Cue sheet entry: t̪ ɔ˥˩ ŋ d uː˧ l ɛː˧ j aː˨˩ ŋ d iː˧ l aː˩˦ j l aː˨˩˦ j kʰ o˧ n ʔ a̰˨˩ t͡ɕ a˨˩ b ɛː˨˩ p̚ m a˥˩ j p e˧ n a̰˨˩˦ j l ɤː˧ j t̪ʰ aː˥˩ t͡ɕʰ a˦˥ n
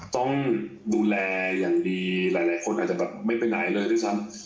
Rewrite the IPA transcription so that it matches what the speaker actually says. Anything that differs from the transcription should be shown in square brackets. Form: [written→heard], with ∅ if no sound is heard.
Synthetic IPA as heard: t̪ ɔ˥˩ ŋ d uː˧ l ɛː˧ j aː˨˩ ŋ d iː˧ l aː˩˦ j l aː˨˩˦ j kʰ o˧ n ʔ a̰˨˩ t͡ɕ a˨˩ b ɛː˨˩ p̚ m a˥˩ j p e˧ n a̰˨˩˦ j l ɤː˧ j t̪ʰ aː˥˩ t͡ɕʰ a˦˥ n